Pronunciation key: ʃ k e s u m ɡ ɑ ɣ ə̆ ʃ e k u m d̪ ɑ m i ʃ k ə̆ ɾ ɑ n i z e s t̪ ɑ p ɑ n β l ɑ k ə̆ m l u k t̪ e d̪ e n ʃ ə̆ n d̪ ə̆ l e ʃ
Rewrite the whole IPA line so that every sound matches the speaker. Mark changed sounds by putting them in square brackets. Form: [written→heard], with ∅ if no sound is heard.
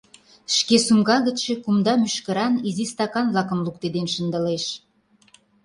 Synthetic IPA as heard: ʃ k e s u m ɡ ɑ ɣ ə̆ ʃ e k u m d̪ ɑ m [i→y] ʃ k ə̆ ɾ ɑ n i z [e→i] s t̪ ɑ [p→k] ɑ n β l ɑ k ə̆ m l u k t̪ e d̪ e n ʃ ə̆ n d̪ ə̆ l e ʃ